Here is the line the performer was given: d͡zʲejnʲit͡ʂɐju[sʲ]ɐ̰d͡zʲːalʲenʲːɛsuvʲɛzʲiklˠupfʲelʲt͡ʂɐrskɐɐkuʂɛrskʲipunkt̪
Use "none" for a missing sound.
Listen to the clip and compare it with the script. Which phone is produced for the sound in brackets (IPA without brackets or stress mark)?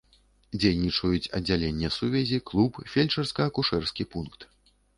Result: t͡sʲ